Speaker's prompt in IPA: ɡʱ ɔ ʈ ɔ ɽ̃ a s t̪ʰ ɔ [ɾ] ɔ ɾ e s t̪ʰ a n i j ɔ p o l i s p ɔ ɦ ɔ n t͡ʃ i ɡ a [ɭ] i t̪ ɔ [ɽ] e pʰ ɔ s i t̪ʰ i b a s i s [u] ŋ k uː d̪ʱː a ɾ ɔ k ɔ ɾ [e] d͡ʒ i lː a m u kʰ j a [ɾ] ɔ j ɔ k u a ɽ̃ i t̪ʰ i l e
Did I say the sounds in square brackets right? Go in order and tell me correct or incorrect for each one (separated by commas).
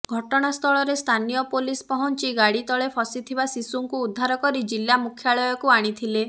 incorrect, incorrect, incorrect, correct, incorrect, incorrect